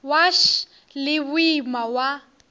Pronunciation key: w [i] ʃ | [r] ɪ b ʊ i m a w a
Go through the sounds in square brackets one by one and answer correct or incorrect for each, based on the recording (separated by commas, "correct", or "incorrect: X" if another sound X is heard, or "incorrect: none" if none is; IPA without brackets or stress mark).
incorrect: a, incorrect: l